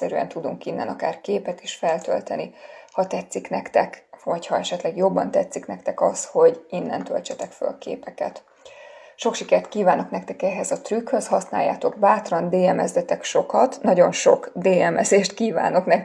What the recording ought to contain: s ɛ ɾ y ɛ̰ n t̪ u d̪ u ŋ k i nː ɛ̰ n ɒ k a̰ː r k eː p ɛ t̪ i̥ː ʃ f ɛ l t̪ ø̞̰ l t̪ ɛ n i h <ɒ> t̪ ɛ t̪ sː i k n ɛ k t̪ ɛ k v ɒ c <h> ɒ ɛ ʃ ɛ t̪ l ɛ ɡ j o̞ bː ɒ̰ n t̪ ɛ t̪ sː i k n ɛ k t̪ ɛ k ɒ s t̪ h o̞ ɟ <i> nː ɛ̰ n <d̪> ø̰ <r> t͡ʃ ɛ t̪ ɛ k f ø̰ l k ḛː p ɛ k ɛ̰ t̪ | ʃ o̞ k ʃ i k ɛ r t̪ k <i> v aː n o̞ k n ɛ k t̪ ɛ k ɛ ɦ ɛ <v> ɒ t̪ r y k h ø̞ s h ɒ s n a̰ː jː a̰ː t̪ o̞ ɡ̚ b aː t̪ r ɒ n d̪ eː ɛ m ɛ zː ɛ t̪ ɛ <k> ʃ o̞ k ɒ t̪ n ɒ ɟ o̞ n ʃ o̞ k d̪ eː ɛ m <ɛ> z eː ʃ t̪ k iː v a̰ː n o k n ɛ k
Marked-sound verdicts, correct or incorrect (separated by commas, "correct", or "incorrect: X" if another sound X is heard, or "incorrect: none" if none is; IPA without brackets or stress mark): correct, correct, correct, incorrect: t̪, incorrect: l, incorrect: iː, incorrect: z, correct, correct